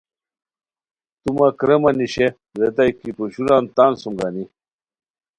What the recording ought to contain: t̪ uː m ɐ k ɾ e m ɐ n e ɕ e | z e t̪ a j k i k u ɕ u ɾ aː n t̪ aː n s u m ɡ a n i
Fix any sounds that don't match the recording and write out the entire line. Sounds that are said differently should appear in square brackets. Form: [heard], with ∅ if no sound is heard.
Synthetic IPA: t̪ [u] m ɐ k ɾ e m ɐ n [i] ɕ e | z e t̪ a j k i [p] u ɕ u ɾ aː n t̪ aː n s u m ɡ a n i